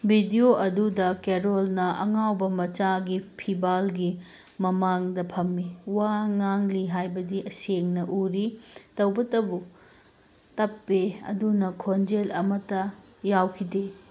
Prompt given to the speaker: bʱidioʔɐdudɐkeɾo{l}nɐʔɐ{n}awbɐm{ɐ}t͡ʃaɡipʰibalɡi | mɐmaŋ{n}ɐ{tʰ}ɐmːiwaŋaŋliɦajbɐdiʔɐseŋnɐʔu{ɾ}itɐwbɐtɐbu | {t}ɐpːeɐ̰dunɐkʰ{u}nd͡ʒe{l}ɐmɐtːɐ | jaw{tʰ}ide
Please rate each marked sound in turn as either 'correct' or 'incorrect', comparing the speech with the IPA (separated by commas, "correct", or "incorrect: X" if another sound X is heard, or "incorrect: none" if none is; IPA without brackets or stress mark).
correct, incorrect: ŋ, correct, incorrect: d, incorrect: pʰ, correct, correct, incorrect: o, correct, incorrect: kʰ